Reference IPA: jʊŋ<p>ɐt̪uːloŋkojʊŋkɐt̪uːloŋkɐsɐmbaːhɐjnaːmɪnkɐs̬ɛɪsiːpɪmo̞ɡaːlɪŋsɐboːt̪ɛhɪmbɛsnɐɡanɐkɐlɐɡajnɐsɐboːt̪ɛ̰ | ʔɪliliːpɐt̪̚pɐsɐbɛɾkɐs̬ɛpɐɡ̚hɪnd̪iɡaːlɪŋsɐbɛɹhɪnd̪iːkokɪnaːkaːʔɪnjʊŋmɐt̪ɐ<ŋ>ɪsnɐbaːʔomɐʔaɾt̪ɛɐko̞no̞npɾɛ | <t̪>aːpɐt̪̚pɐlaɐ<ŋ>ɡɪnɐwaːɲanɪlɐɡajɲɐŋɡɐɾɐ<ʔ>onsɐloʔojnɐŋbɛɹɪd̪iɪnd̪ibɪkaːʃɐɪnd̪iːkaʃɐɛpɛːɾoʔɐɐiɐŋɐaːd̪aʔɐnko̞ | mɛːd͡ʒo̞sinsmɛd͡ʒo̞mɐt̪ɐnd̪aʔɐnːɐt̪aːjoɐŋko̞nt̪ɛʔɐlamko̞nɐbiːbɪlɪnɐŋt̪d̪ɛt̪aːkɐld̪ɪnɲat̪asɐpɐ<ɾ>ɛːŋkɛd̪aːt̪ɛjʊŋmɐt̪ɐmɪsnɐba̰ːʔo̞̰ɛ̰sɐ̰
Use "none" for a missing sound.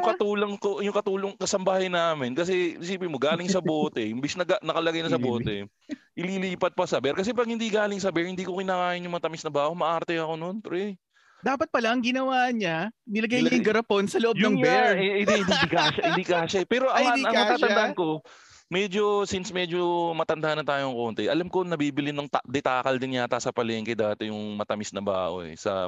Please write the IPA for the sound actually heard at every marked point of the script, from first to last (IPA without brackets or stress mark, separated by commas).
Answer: k, m, d̪, ŋ, p, l